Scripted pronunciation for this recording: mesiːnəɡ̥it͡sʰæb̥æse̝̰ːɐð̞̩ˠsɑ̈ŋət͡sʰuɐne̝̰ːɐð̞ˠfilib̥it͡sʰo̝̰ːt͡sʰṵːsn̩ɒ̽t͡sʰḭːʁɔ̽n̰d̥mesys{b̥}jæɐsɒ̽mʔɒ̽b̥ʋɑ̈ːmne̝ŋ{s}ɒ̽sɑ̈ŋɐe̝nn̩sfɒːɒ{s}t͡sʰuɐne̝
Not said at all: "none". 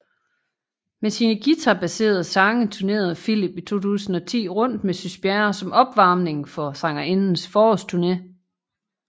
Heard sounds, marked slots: b̥, f, s

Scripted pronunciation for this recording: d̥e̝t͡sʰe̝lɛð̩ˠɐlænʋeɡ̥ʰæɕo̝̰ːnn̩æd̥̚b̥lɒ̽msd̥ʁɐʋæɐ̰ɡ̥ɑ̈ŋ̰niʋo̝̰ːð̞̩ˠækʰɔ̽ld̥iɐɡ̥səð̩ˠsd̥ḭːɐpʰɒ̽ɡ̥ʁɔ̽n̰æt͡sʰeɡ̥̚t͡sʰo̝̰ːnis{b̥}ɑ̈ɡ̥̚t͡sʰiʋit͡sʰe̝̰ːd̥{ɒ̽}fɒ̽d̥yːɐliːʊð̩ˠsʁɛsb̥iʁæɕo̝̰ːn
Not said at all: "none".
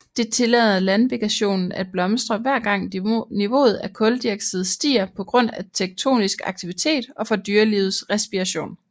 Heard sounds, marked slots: ɡ̥, ɒ̽

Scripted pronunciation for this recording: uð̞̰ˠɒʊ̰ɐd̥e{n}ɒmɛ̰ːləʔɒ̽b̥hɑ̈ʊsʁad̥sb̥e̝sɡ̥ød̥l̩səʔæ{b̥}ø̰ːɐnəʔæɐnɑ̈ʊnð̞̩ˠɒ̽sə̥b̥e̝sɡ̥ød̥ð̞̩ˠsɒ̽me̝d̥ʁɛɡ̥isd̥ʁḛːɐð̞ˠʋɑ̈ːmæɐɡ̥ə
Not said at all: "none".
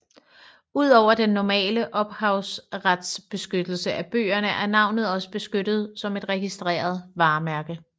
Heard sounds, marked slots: nː, b̥

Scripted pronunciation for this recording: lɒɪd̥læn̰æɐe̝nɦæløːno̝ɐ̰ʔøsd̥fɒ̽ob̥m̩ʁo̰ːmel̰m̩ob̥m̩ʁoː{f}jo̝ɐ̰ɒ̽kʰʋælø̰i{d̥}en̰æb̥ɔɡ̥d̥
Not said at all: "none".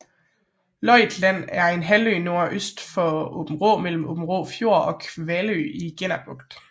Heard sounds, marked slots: f, ɡ̥

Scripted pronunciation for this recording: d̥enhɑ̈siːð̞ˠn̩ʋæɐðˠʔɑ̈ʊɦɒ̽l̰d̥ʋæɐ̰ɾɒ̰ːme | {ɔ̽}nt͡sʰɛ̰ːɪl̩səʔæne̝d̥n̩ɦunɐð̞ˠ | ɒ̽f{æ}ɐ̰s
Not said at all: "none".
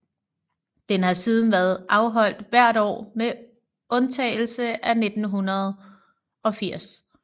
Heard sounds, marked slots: ɔ̽, i

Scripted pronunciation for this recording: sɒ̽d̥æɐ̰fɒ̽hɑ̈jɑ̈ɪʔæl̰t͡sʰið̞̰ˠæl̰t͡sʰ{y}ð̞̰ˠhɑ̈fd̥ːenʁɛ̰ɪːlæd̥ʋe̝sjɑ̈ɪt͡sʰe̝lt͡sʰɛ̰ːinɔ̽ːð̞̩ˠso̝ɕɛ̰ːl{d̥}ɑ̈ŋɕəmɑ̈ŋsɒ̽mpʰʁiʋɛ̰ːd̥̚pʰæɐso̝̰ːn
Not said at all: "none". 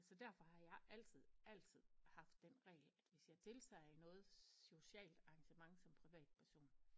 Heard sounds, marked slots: i, d̥

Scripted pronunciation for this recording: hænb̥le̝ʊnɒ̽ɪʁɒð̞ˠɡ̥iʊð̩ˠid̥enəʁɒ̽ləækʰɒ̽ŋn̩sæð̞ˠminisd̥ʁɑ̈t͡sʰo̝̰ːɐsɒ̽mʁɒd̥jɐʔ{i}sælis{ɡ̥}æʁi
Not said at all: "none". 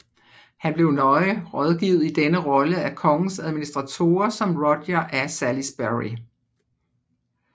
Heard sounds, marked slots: æ, b̥

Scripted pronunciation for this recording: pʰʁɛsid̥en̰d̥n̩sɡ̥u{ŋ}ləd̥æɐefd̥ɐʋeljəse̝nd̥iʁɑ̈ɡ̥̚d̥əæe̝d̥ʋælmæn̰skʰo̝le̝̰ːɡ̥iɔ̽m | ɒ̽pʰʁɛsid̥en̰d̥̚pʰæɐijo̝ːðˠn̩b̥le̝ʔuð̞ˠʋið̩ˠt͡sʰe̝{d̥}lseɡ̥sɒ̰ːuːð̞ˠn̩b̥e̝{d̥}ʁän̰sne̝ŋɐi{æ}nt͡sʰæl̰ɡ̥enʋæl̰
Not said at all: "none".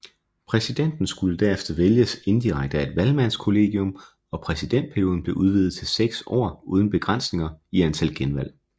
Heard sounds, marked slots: none, none, ɡ̥, æ

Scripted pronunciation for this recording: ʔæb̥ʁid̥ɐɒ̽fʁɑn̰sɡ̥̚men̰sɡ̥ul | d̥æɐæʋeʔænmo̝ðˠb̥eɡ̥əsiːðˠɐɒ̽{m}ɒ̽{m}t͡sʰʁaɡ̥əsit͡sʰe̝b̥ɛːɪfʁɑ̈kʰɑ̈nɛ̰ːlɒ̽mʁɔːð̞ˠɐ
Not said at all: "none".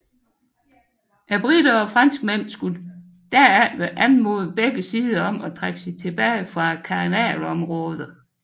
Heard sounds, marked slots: m, none

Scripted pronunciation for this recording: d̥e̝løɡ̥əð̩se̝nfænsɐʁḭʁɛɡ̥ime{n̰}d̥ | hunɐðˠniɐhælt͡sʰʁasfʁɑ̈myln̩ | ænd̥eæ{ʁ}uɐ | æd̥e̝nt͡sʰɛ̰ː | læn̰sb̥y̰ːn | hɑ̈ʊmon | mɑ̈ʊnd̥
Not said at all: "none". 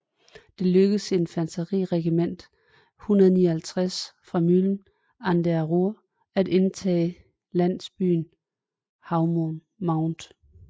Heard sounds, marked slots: n̰, ʁ

